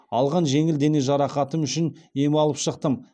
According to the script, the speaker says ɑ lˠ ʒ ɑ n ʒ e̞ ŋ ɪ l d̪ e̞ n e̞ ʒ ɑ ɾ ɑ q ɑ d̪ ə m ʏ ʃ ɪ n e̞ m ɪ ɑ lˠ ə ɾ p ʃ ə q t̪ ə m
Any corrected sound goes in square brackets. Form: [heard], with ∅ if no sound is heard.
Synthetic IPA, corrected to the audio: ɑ lˠ [ʁ] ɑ n ʒ e̞ ŋ ɪ l d̪ e̞ n e̞ ʒ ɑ ɾ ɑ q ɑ [t̪] ə m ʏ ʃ ɪ n e̞ m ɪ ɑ lˠ ə [∅] p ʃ ə q t̪ ə m